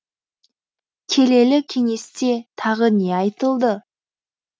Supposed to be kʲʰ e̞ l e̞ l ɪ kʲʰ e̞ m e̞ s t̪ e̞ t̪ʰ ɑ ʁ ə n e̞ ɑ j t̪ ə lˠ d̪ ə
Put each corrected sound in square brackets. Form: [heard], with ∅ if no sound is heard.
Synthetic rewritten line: kʲʰ e̞ l e̞ l ɪ kʲʰ e̞ [ŋ] e̞ s t̪ e̞ t̪ʰ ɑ ʁ ə n e̞ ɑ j t̪ ə lˠ d̪ ə

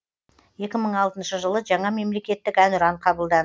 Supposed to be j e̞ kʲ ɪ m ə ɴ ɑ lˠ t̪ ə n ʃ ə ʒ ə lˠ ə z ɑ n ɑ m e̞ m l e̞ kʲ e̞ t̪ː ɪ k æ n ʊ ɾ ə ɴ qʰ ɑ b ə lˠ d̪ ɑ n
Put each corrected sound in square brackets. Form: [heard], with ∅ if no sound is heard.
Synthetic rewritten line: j e̞ kʲ ɪ m ə ɴ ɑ lˠ t̪ ə n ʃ ə ʒ ə lˠ ə [ʒ] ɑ [ɴ] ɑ m e̞ m l e̞ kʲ e̞ t̪ː ɪ k æ n ʊ ɾ [ɑ] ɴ qʰ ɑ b ə lˠ d̪ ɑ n

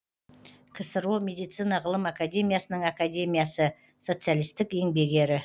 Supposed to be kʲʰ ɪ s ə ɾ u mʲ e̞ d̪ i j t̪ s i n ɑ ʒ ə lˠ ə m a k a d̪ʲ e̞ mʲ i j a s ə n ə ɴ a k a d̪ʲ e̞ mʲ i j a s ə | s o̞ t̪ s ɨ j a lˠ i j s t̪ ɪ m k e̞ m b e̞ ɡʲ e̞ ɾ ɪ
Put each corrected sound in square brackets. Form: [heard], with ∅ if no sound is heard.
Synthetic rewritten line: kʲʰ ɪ s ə ɾ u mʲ e̞ d̪ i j t̪ s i n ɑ [ʁ] ə lˠ ə m a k a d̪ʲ e̞ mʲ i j a s ə n ə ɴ a k a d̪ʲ e̞ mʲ i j a s ə | s o̞ t̪ s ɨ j a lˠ i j s t̪ ɪ [∅] k e̞ [ŋ] b e̞ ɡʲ e̞ ɾ ɪ

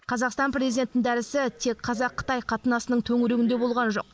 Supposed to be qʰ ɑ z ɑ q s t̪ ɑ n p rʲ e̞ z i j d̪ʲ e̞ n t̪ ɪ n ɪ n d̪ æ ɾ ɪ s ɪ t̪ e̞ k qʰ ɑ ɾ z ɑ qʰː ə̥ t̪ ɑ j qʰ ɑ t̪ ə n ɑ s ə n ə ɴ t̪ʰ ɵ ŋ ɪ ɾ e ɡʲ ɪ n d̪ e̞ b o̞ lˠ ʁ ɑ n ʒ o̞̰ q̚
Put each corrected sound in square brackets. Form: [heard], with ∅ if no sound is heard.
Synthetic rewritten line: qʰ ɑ z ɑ q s t̪ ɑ n p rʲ e̞ z i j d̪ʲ e̞ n t̪ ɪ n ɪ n d̪ æ ɾ ɪ s ɪ [t̪ʰ] e̞ k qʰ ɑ [∅] z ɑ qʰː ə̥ t̪ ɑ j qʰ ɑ t̪ ə n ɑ s ə n ə ɴ t̪ʰ ɵ ŋ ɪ ɾ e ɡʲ ɪ n d̪ e̞ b o̞ lˠ ʁ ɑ n ʒ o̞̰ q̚

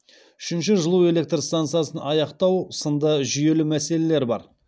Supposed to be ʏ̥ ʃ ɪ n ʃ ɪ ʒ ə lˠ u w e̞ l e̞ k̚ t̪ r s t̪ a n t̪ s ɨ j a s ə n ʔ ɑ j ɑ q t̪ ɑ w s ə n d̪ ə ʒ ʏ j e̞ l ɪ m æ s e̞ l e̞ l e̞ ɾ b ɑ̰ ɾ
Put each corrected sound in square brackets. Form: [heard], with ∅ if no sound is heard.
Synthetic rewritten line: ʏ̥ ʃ ɪ n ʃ ɪ ʒ ə lˠ u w e̞ l e̞ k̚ t̪ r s t̪ a n t̪ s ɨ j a s ə n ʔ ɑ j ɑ q t̪ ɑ w s ə n d̪ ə ʒ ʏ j e̞ l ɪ m æ s e̞ l e̞ l e̞ ɾ b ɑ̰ ɾ

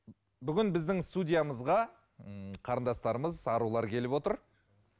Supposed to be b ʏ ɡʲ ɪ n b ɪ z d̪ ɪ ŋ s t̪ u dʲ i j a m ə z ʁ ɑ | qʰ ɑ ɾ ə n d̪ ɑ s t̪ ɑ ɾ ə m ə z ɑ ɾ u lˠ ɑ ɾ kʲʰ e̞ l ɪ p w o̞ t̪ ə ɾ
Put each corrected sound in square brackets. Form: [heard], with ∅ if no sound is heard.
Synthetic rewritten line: b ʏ ɡʲ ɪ n b ɪ z d̪ ɪ ŋ s t̪ u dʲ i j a m ə z ʁ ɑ | qʰ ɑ ɾ ə n d̪ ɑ s t̪ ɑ ɾ ə m ə z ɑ ɾ u lˠ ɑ ɾ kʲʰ e̞ l ɪ p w o̞ t̪ ə ɾ

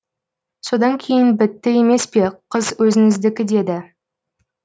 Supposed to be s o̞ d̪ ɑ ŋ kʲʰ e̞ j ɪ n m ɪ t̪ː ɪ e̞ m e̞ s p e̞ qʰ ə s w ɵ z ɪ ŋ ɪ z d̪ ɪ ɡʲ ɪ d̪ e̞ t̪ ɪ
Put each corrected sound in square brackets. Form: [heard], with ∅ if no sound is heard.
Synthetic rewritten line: s o̞ d̪ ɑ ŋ kʲʰ e̞ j ɪ n [b] ɪ t̪ː ɪ e̞ m e̞ s p e̞ qʰ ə [z] w ɵ z ɪ ŋ ɪ z d̪ ɪ [kʲ] ɪ d̪ e̞ [d̪] ɪ

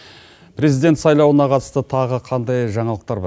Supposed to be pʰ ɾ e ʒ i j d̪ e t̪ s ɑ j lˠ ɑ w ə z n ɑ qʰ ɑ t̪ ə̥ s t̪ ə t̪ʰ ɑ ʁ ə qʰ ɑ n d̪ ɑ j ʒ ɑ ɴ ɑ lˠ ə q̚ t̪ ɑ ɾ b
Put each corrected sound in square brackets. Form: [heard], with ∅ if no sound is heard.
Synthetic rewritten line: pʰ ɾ e [z] i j d̪ e t̪ s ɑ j lˠ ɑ w ə [∅] n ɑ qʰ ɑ t̪ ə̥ s t̪ ə t̪ʰ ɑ ʁ ə qʰ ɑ n d̪ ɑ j ʒ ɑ ɴ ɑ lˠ ə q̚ t̪ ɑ ɾ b

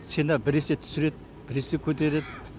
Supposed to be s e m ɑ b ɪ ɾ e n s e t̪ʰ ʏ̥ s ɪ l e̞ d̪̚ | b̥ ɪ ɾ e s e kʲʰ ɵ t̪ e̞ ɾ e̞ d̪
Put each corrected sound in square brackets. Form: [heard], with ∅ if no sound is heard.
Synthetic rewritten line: s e [n] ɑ b ɪ ɾ e [∅] s e t̪ʰ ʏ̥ s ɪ [ɾ] e̞ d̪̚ | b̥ ɪ ɾ e s e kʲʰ ɵ t̪ e̞ ɾ e̞ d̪

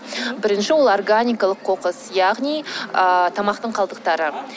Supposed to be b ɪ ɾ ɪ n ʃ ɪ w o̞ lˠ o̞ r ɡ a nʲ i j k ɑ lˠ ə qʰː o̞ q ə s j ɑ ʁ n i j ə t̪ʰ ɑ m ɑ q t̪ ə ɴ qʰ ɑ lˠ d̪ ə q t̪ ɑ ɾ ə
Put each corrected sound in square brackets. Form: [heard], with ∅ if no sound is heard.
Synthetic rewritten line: b ɪ ɾ ɪ n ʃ ɪ w o̞ lˠ o̞ r ɡ a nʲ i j k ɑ lˠ ə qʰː o̞ q ə s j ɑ ʁ n i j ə t̪ʰ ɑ m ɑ q t̪ ə ɴ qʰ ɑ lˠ d̪ ə q t̪ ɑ ɾ ə

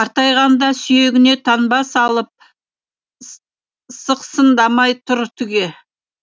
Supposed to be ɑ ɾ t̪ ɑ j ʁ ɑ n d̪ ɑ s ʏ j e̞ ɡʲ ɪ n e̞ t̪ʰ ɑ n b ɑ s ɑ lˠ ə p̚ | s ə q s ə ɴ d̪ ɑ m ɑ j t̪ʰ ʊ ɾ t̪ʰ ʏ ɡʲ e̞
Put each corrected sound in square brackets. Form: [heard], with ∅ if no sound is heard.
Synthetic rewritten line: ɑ ɾ t̪ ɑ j ʁ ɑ n d̪ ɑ s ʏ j e̞ ɡʲ ɪ n e̞ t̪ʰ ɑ n b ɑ s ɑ lˠ ə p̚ | s ə q s ə [n] d̪ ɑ m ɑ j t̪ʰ ʊ ɾ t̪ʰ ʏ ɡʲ e̞

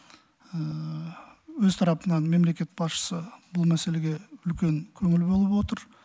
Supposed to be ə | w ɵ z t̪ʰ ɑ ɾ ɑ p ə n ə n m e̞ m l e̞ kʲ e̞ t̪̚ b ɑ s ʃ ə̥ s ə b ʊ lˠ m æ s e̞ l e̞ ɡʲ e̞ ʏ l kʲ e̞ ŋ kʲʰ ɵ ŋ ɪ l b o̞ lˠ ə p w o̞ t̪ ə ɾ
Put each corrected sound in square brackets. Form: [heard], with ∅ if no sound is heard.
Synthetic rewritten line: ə | w ɵ z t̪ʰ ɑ ɾ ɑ p ə n [ɑ] n m e̞ m l e̞ kʲ e̞ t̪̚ b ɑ s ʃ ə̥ s ə b ʊ lˠ m æ s e̞ l e̞ ɡʲ e̞ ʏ l kʲ e̞ ŋ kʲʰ ɵ ŋ ɪ l b o̞ lˠ ə p w o̞ t̪ ə ɾ

